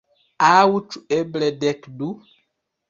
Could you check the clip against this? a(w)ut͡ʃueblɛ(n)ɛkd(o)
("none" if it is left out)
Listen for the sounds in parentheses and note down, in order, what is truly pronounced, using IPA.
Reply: w, d, u

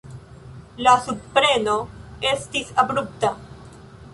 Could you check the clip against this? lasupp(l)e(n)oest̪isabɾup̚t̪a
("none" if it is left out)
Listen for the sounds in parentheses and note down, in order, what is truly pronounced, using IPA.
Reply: ɾ, n

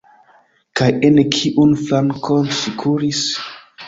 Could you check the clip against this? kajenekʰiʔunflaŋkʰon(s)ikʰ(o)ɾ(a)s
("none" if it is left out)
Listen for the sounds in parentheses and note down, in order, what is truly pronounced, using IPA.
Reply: s, u, i

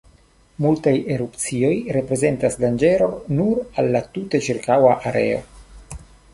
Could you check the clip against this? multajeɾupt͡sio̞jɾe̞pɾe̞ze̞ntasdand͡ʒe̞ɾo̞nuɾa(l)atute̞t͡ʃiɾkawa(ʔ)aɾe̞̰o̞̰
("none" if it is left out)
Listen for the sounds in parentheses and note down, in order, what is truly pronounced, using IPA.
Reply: lː, ʔ

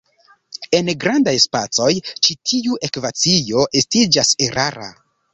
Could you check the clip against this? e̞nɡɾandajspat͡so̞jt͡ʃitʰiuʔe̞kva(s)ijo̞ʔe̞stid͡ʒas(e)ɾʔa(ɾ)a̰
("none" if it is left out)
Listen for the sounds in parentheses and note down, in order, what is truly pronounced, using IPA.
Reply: t͡s, e, ɾ

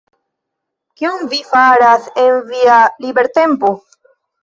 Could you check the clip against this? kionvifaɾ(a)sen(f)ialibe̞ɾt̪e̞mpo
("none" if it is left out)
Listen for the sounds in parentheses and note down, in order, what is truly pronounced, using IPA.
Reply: a, v

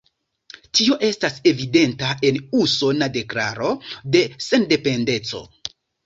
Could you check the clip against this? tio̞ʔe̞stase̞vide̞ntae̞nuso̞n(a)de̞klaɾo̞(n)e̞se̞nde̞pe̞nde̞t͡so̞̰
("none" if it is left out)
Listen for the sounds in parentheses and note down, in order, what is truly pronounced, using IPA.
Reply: a, d

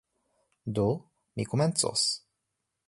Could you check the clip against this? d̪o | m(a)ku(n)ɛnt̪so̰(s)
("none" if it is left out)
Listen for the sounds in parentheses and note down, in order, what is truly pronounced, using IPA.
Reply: i, m, s

